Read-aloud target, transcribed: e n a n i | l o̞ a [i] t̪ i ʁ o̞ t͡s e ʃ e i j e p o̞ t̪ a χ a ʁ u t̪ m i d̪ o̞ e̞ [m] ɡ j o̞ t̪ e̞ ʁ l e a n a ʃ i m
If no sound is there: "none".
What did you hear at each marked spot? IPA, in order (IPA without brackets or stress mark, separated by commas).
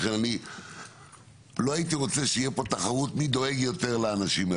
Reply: i, none